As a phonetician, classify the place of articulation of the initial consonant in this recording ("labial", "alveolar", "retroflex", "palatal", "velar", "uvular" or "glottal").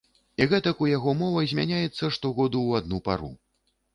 velar